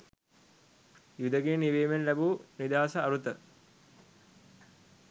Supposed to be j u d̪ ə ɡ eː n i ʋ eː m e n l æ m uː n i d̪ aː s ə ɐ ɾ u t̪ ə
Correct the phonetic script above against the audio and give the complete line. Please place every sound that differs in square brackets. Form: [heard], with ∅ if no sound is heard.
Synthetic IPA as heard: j u d̪ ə ɡ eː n i ʋ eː m e n l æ [b] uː n i d̪ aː s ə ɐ ɾ u t̪ ə